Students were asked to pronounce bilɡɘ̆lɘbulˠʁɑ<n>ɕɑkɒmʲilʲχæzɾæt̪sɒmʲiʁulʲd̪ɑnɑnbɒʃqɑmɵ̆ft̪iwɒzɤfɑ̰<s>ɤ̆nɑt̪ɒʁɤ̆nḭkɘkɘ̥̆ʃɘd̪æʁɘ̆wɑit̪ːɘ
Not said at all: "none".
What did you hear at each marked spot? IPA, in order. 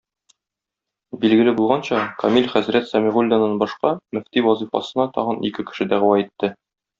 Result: n, s

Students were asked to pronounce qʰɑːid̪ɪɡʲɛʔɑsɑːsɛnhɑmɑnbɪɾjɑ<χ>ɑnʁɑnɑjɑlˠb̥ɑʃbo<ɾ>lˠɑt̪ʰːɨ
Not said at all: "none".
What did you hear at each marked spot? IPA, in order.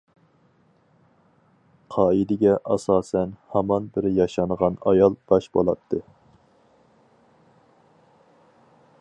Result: ʃ, none

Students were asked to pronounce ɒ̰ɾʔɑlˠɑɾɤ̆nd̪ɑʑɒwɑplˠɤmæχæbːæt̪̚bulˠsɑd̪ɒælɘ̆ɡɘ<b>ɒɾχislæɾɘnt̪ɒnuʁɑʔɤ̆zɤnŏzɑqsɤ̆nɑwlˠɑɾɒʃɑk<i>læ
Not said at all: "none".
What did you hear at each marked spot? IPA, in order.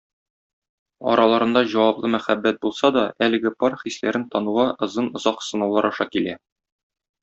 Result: p, i

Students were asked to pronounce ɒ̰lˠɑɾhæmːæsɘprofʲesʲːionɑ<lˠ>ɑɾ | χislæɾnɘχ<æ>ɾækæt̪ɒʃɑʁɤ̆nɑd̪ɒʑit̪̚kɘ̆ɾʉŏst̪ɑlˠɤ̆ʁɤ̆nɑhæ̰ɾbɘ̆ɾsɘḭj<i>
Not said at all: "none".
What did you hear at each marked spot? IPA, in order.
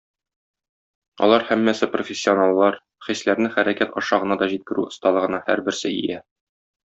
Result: lˠː, æ, æ

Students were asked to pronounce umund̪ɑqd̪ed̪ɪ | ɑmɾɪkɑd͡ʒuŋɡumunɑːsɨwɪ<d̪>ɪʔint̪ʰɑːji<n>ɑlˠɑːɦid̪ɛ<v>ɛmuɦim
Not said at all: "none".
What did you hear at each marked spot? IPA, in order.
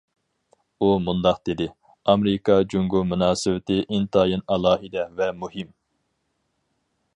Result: t̪, n, v

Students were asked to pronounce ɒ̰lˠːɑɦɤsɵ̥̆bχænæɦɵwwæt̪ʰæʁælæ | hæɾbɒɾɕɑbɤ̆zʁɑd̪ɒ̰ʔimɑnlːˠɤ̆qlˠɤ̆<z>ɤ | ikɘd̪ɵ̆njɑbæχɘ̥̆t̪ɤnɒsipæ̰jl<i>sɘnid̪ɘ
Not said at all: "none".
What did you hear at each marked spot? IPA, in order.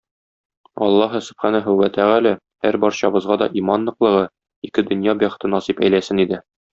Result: ʁ, æ

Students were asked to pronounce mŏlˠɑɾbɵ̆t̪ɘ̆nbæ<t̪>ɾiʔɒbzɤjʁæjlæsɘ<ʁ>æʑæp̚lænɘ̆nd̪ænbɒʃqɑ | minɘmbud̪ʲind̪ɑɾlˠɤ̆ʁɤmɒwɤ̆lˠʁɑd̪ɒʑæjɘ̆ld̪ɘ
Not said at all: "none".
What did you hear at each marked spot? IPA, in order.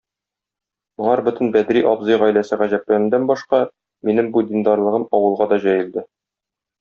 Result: d̪, ʁ

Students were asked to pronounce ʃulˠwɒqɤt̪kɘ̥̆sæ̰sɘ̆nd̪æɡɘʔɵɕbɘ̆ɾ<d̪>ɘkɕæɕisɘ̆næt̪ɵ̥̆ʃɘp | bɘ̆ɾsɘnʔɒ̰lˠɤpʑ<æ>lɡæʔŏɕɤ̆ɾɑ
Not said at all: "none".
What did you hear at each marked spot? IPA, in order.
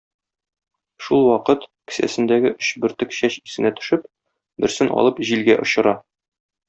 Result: t̪, i

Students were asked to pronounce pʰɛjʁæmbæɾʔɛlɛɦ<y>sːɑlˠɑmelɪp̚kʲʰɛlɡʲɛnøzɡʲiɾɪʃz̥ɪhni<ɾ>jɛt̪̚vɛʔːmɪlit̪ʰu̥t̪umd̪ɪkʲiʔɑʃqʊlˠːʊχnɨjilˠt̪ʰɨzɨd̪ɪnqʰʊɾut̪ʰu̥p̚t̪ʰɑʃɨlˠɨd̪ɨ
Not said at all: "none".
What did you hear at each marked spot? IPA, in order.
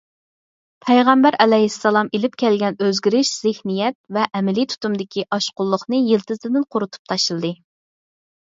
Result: i, none

